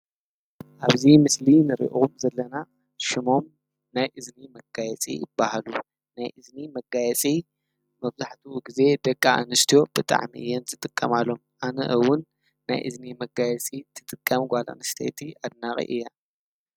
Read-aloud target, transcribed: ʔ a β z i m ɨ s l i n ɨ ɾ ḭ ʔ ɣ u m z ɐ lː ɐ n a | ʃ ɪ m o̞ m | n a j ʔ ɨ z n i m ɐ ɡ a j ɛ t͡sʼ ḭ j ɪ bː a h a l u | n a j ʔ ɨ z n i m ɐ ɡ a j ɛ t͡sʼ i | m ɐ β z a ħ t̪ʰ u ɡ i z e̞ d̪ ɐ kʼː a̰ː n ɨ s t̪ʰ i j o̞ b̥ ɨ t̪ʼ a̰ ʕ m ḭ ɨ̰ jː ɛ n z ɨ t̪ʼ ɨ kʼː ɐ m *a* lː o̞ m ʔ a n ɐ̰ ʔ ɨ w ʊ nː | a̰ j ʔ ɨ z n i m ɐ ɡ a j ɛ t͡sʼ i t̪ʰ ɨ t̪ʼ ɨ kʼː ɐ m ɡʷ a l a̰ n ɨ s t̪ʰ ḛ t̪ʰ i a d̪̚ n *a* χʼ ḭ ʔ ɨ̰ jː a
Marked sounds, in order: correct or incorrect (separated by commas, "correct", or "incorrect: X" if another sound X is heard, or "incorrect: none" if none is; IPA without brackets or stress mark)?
correct, correct